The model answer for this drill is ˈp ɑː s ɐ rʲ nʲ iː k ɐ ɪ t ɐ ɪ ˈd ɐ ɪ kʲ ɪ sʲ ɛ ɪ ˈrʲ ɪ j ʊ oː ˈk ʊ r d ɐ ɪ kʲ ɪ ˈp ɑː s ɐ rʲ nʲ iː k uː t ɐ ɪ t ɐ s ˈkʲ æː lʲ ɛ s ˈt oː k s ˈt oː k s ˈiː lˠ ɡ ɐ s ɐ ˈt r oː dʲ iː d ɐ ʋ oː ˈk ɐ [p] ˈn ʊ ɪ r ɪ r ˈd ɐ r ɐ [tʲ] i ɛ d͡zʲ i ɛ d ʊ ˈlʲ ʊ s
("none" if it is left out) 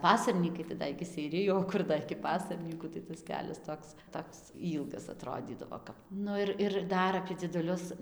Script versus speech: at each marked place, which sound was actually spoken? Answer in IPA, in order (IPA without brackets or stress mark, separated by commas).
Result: p, pʲ